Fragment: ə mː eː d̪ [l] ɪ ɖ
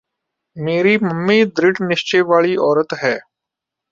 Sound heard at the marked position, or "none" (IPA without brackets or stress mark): ɾ